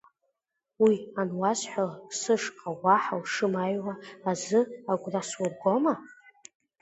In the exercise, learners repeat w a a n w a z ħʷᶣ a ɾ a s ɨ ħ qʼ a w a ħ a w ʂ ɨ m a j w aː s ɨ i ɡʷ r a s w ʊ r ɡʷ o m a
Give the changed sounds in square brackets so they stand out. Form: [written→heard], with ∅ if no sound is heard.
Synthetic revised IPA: w [a→i] a n w a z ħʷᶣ a [ɾ→l] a s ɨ [ħ→ʂ] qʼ a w a ħ a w ʂ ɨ m a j w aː [s→z] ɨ [i→a] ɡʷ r a s w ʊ r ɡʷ o m a